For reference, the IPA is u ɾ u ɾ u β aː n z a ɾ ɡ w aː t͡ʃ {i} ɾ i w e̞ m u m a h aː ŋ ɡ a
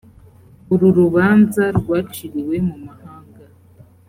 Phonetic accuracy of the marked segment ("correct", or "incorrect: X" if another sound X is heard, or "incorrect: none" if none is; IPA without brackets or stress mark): correct